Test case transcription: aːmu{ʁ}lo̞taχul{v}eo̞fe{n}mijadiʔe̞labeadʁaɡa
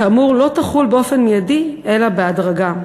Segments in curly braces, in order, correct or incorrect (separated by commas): correct, incorrect, correct